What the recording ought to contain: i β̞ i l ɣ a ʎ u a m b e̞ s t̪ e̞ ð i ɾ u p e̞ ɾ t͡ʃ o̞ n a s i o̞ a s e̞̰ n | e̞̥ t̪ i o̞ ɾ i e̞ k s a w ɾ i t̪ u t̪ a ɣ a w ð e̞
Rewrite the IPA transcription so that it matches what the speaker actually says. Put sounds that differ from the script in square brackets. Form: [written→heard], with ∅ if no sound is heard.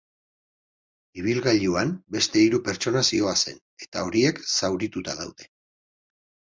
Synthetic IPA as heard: i β̞ i l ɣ a ʎ u a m b e̞ s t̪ e̞ [ð→∅] i ɾ u p e̞ ɾ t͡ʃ o̞ n a s i o̞ a s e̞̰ n | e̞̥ t̪ [i→a] o̞ ɾ i e̞ k s a w ɾ i t̪ u t̪ a [ɣ→ð] a w ð e̞